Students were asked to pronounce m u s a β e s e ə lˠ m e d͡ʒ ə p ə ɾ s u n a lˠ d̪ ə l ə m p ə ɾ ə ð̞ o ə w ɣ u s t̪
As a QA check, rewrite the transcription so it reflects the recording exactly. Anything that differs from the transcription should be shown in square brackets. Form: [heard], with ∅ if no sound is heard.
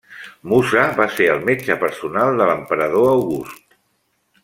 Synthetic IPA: m u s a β [a] s e ə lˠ m e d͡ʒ ə p ə ɾ s u n a lˠ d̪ ə l ə m p ə ɾ ə ð̞ o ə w ɣ u s t̪